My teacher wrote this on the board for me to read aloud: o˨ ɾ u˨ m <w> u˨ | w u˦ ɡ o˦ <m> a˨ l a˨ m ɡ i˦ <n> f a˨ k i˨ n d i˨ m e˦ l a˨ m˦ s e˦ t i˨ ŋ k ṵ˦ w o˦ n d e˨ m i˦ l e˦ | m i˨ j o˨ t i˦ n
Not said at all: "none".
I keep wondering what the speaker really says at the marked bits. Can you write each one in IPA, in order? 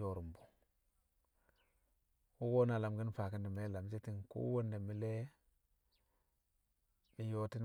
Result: b, n, n

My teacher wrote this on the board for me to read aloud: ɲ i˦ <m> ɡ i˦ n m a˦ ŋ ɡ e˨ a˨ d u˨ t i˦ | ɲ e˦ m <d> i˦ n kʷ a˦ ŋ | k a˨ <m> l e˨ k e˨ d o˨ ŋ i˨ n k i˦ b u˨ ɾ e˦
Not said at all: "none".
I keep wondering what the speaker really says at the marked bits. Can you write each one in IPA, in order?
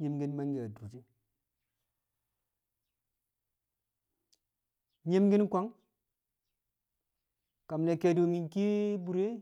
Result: m, ɡ, m

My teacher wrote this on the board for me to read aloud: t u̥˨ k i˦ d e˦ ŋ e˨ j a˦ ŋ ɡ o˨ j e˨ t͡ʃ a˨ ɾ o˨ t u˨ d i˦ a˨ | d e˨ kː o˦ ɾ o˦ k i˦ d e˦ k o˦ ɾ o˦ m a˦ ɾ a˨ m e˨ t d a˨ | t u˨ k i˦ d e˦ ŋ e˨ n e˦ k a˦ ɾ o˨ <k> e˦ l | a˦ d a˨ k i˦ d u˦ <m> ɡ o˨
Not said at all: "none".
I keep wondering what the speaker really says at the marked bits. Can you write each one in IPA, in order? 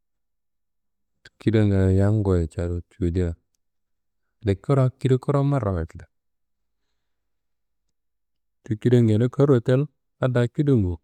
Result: t, ŋ

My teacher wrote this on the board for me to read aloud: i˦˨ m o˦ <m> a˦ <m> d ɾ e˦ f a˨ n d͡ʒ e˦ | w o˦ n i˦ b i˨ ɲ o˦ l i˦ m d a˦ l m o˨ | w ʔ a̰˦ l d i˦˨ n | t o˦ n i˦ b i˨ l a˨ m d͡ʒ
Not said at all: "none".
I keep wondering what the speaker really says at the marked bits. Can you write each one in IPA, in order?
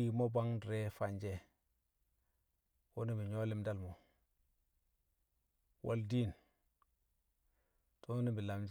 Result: b, ŋ

